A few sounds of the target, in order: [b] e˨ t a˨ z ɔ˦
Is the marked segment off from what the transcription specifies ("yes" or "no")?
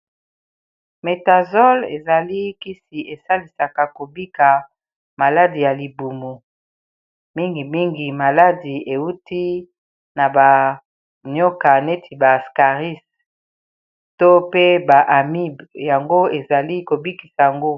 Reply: yes